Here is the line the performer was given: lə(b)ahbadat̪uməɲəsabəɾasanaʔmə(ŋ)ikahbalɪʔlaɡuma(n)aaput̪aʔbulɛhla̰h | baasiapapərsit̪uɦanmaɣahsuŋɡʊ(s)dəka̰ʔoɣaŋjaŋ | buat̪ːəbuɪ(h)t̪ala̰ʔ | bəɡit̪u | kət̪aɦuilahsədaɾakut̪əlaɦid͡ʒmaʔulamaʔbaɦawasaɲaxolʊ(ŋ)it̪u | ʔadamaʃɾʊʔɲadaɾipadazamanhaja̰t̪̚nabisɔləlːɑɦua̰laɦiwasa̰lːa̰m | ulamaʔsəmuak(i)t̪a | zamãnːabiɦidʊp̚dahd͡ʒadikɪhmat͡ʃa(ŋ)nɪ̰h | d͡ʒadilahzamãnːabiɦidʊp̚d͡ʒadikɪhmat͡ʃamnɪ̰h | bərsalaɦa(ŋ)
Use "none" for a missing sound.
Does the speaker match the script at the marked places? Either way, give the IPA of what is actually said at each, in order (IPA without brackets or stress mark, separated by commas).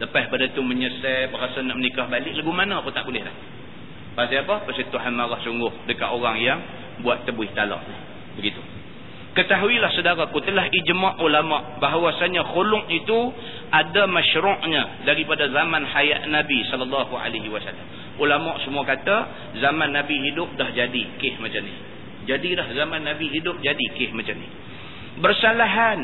p, n, n, h, h, ŋ, a, m, n